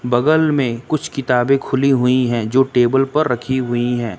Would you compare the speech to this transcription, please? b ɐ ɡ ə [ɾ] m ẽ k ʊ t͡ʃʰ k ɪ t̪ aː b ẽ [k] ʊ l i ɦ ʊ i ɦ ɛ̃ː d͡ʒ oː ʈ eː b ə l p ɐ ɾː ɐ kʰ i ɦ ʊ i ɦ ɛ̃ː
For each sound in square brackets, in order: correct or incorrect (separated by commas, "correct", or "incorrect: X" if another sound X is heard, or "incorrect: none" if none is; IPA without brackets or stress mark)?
incorrect: l, incorrect: kʰ